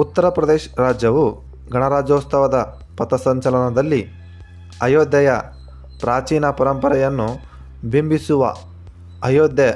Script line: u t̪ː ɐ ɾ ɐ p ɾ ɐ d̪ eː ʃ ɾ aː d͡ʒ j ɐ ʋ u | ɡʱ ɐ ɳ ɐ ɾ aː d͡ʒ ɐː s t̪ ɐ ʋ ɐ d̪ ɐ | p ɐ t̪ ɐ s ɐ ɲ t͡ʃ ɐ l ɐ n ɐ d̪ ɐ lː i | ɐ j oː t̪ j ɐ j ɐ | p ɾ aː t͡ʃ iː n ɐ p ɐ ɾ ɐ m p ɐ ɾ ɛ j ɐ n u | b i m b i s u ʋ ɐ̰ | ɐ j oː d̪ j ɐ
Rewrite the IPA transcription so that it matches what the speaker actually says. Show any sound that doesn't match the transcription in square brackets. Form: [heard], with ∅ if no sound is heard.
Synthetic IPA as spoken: u t̪ː ɐ ɾ ɐ p ɾ ɐ d̪ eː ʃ ɾ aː d͡ʒ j ɐ ʋ u | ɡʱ ɐ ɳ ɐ ɾ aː d͡ʒ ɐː s t̪ ɐ ʋ ɐ d̪ ɐ | p ɐ t̪ ɐ s ɐ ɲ t͡ʃ ɐ l ɐ n ɐ d̪ ɐ lː i | ɐ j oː [d̪] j ɐ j ɐ | p ɾ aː t͡ʃ iː n ɐ p ɐ ɾ ɐ m p ɐ ɾ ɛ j ɐ [nː] u | b i m b i s u ʋ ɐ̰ | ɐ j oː d̪ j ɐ